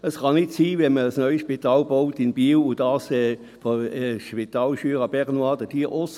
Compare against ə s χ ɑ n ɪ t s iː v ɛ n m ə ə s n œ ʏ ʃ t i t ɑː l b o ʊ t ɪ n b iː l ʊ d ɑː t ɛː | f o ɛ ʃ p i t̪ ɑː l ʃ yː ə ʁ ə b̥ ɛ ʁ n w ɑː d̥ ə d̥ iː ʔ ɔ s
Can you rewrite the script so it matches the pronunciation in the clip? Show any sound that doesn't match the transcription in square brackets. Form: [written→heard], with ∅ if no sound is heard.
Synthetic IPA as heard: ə s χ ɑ n ɪ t s iː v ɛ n m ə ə s n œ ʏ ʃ [t→p] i t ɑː l b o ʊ t ɪ n b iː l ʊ d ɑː [t→s] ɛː | f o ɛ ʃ p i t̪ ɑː l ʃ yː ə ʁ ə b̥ ɛ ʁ n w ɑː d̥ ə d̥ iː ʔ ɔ s

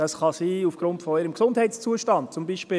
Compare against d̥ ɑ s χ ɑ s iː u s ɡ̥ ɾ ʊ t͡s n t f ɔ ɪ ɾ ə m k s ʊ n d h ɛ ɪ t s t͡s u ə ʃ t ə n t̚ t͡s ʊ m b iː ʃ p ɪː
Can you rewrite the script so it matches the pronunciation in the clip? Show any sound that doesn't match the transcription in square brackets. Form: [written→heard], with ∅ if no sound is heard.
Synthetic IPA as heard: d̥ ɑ s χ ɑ s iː u [s→f] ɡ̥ ɾ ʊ [t͡s→∅] n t f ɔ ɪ ɾ ə m k s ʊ n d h ɛ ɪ t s t͡s u ə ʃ t [ə→ɑ] n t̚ t͡s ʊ m b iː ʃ p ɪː

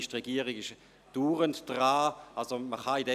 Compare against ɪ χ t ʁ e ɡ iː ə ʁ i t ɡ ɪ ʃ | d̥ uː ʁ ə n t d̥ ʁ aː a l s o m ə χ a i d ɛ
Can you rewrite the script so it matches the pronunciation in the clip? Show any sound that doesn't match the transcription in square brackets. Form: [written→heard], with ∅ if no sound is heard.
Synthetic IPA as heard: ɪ [χ→ʃ] t ʁ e ɡ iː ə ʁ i [t→∅] ɡ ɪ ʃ | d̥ uː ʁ ə n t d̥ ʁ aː a l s o m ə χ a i d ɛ

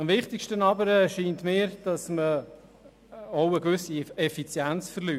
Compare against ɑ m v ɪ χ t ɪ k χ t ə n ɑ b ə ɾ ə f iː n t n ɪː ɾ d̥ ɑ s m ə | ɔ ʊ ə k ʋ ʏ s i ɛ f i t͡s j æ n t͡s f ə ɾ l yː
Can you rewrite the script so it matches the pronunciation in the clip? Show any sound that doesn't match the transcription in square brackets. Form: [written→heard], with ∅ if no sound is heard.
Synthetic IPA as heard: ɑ m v ɪ χ t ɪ k [χ→ʃ] t ə n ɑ b ə ɾ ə [f→ʃ] iː n t [n→m] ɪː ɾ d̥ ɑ s m ə | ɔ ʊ ə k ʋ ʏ s i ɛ f i t͡s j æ n t͡s f ə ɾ l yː

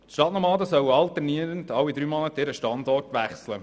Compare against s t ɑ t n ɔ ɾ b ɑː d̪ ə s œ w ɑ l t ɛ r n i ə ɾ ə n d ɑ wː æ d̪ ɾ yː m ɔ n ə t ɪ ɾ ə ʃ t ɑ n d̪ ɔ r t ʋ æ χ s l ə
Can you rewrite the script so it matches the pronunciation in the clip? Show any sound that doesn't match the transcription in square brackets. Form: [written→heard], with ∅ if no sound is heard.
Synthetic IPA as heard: [s→ʃ] t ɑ t n ɔ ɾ [b→m] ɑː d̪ ə s œ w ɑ l t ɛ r n i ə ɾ ə n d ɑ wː [æ→i] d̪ ɾ yː m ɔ n ə t ɪ ɾ ə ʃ t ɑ n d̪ ɔ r t ʋ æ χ s l ə

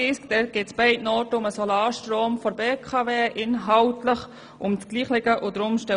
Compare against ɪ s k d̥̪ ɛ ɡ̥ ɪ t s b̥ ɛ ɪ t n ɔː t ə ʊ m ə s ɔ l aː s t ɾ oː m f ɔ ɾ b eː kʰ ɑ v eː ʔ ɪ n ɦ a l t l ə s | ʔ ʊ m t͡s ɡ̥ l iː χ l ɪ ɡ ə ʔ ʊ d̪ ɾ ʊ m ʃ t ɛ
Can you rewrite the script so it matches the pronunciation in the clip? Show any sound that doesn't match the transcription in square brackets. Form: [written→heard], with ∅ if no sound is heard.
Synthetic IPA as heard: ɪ s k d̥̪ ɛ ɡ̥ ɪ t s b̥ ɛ ɪ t n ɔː t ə ʊ m ə s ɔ l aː [s→ʃ] t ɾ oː m f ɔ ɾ b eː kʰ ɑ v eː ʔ ɪ n ɦ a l t l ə [s→χ] | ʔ ʊ m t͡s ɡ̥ l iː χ l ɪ ɡ ə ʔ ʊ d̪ ɾ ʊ m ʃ t ɛ

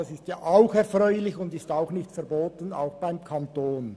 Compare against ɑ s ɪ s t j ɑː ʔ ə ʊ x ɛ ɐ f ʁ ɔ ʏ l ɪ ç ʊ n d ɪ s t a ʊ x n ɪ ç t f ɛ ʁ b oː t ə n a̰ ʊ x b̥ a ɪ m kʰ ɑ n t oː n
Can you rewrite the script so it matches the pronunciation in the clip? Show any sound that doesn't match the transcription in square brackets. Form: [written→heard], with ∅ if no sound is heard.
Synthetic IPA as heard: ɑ s ɪ s t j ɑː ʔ [ə→a] ʊ x ɛ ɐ f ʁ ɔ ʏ l ɪ ç ʊ n d ɪ s t a ʊ x n ɪ ç t f ɛ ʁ b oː t ə n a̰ ʊ x b̥ a ɪ m kʰ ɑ n t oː n

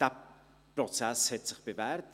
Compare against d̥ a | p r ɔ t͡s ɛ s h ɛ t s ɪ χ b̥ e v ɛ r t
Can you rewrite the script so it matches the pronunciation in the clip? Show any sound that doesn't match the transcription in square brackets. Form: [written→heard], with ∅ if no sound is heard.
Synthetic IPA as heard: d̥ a | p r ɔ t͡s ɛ s h ɛ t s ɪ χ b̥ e v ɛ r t

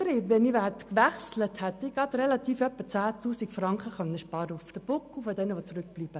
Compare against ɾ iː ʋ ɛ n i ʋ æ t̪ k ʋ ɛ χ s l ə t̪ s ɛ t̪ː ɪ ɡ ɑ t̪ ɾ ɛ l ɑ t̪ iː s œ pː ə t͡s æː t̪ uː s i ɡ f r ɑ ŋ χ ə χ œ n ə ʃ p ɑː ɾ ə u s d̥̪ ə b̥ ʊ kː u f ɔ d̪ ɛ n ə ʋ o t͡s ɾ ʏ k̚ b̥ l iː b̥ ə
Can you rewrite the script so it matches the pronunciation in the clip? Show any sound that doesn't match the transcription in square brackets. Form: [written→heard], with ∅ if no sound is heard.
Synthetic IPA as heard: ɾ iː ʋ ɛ n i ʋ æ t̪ k ʋ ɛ χ s l ə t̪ [s→h] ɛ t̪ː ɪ ɡ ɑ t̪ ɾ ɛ l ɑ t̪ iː [s→f] œ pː ə t͡s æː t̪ uː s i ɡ f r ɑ ŋ χ ə χ œ n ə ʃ p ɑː ɾ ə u [s→f] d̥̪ ə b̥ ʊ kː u f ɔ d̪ ɛ n ə ʋ o t͡s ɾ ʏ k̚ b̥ l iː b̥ ə

